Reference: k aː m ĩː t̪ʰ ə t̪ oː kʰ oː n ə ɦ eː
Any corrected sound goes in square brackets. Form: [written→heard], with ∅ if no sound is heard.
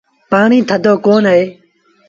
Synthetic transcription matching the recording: [k→p] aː [m→ɳ] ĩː t̪ʰ ə [t̪→d̪] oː [kʰ→k] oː n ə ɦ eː